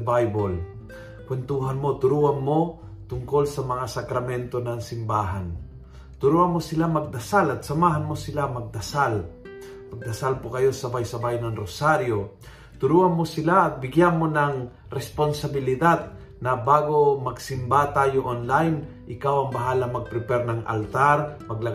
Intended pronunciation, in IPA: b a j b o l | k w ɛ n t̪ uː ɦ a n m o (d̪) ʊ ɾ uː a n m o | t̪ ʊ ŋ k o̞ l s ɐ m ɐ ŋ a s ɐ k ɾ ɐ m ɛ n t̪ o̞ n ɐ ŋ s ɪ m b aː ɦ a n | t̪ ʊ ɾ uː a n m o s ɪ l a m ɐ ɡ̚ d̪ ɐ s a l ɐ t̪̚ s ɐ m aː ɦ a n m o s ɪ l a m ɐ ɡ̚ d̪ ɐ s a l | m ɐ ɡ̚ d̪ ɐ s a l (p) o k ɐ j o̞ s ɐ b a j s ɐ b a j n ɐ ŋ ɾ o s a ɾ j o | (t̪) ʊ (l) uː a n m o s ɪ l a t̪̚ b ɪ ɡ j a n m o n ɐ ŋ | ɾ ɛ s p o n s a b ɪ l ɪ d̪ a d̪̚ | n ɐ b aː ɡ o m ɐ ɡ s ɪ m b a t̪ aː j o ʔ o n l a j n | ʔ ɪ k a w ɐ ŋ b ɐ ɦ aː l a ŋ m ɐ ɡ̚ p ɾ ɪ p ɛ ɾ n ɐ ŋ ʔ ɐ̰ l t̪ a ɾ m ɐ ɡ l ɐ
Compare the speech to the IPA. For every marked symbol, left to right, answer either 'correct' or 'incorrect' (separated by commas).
incorrect, correct, correct, incorrect